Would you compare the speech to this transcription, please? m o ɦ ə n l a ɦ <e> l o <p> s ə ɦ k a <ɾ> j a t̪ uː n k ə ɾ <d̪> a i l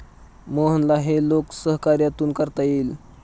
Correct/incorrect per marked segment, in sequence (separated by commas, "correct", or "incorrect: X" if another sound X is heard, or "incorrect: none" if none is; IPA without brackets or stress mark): correct, incorrect: k, correct, incorrect: t̪